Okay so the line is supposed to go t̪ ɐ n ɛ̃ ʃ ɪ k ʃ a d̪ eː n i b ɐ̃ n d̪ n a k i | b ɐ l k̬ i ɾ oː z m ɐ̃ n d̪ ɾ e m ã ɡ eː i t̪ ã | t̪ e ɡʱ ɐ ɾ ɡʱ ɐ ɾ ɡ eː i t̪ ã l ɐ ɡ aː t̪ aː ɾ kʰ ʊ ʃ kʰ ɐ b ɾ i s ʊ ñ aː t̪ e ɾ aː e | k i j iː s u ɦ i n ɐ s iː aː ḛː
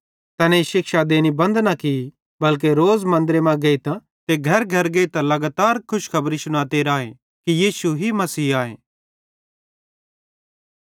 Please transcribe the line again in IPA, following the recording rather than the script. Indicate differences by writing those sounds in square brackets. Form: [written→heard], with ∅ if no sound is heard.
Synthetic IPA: t̪ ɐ n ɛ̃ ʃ ɪ k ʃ a d̪ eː n i b ɐ̃ n d̪ n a k i | b ɐ l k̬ [i→e] ɾ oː z m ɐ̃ n d̪ ɾ e m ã ɡ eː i t̪ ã | t̪ e ɡʱ ɐ ɾ ɡʱ ɐ ɾ ɡ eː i t̪ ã l ɐ ɡ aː t̪ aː ɾ kʰ ʊ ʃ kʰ ɐ b ɾ i s ʊ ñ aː t̪ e ɾ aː e | k i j iː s u ɦ i [n→m] ɐ s iː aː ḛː